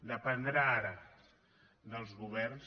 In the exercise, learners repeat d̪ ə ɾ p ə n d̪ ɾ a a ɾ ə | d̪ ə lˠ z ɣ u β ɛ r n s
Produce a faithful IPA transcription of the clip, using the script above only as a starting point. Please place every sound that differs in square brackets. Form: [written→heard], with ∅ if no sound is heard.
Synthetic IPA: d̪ ə [ɾ→∅] p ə n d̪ ɾ a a ɾ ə | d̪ ə lˠ z ɣ u β ɛ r n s

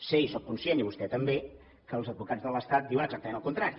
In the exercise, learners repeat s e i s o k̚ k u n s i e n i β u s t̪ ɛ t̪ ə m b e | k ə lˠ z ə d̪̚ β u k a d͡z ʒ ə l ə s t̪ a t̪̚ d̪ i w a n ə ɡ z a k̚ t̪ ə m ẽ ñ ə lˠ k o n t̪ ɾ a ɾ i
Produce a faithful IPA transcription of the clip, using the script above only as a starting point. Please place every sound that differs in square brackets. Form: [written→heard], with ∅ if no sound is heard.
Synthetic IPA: s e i s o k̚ k u n s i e n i β u s t̪ ɛ t̪ ə m b e | k ə lˠ z ə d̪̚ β u k a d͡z [ʒ→ð] ə l ə s t̪ a t̪̚ d̪ i w [a→ə] n ə ɡ z a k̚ t̪ ə m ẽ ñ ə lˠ k [o→u] n t̪ ɾ a ɾ i

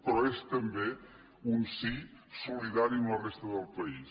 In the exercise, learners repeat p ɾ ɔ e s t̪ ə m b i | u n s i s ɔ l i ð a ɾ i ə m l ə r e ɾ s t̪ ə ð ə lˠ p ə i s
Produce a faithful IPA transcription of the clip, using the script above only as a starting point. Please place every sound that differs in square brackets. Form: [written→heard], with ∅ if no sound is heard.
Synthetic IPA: p ɾ ɔ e s t̪ ə m b [i→e] | u n s i s [ɔ→u] l i ð a ɾ i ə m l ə r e [ɾ→∅] s t̪ ə ð ə lˠ p ə i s

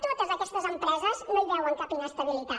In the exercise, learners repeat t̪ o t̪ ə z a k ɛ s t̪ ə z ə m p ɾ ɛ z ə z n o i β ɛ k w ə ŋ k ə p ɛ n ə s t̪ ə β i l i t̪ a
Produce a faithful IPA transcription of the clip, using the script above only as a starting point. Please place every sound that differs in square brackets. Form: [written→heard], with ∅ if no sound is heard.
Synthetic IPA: t̪ o t̪ ə z [a→ə] k ɛ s t̪ ə z ə m p ɾ ɛ z ə z n o i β ɛ [k→∅] w ə ŋ k [ə→a] p [ɛ→i] n ə s t̪ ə β i l i t̪ a

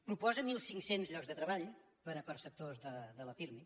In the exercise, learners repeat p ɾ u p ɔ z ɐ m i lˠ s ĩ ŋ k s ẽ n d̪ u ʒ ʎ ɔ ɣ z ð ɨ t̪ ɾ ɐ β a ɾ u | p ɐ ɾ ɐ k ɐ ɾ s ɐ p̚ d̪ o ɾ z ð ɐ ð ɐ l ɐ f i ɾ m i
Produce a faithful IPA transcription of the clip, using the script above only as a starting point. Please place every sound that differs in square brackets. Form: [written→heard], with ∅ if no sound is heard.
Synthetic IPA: p ɾ u p ɔ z ɐ m i lˠ s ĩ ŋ k s ẽ n [d̪→t̪] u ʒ ʎ ɔ ɣ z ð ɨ t̪ ɾ ɐ β a [ɾ→ʎ] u | p ɐ ɾ ɐ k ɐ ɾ s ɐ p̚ [d̪→t̪] o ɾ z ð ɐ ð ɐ l ɐ f i ɾ m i

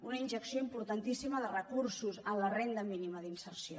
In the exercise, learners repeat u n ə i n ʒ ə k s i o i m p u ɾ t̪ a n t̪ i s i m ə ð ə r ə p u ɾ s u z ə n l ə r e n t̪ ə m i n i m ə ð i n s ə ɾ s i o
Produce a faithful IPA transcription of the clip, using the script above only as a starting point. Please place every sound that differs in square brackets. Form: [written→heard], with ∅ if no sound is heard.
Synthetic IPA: u n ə i n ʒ ə k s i o i m p u ɾ t̪ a n t̪ i s i m ə ð ə r ə [p→k] u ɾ s u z ə n l ə r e n [t̪→d̪] ə m i n i m ə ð i n s ə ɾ s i o

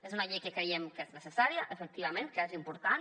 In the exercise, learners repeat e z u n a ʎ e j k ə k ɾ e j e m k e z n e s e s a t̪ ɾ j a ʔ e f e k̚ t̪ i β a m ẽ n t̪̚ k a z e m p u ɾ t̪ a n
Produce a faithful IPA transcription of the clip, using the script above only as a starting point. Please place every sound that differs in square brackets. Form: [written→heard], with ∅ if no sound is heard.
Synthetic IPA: e z u n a ʎ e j k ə k ɾ e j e m k e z n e s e s a [t̪→∅] ɾ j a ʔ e f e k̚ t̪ i β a m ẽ n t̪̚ k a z [e→i] m p u ɾ t̪ a n

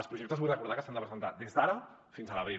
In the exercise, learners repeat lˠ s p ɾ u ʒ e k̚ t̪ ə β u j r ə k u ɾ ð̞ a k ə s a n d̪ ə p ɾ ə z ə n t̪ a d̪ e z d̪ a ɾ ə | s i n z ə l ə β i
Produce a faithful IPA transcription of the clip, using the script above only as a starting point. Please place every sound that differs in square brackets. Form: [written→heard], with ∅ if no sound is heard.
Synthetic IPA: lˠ s p ɾ u ʒ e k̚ t̪ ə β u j r ə k u ɾ ð̞ a k ə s a n d̪ ə p ɾ ə z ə n t̪ a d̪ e z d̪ a ɾ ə | [s→f] i n z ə l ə β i

